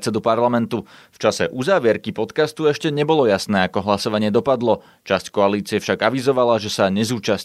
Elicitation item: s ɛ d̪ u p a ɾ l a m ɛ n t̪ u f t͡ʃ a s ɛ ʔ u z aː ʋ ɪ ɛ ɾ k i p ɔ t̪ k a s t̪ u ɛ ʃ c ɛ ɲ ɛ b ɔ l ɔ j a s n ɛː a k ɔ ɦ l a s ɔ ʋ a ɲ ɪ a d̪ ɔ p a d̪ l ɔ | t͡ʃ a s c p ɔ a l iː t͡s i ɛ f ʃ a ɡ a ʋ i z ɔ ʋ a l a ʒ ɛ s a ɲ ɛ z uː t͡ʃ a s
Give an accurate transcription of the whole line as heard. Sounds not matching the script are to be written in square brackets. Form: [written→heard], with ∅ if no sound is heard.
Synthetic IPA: [s→t͡s] ɛ d̪ u p a ɾ l a m ɛ n t̪ u f t͡ʃ a s ɛ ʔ u z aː ʋ ɪ ɛ ɾ k i p ɔ t̪ k a s t̪ u ɛ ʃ c ɛ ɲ ɛ b ɔ l ɔ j a s n ɛː a k ɔ ɦ l a s ɔ ʋ a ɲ ɪ [a→ɛ] d̪ ɔ p a d̪ l ɔ | t͡ʃ a s c [p→k] ɔ a l iː t͡s i ɛ f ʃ a ɡ a ʋ i z ɔ ʋ a l a ʒ ɛ s a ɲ ɛ z uː t͡ʃ a s